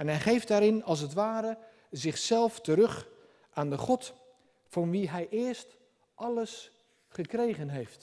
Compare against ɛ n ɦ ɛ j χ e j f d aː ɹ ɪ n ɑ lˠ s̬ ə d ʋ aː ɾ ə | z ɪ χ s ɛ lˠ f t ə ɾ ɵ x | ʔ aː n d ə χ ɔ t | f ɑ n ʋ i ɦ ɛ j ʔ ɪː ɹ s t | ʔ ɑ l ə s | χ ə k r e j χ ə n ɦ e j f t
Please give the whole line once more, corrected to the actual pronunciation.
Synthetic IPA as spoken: ɛ n ɦ ɛ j χ e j f d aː ɾ ɪ n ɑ lˠ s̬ ə t ʋ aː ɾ ə | z ɪ χ s ɛ lˠ f t ə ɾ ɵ χ | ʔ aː n d ə χ ɔ t | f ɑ n ʋ i ɦ ɛ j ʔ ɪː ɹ s t | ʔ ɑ l ə s | χ ə k r e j χ ə n ɦ e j f t